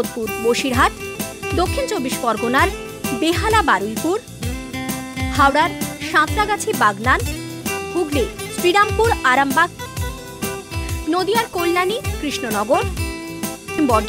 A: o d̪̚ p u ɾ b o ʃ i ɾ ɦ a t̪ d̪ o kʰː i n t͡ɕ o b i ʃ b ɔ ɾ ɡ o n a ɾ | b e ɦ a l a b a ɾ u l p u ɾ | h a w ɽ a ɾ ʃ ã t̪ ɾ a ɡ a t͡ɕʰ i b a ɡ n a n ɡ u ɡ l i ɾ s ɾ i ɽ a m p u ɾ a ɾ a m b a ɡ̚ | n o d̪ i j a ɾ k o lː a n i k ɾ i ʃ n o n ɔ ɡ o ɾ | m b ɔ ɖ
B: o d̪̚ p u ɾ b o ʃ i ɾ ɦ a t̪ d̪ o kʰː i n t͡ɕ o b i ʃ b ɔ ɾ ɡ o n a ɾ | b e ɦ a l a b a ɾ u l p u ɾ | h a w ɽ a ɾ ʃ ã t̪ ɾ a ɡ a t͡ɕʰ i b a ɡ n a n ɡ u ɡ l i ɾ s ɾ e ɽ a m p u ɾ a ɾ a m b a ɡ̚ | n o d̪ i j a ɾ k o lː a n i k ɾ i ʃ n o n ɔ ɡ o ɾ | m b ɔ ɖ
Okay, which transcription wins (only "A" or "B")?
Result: A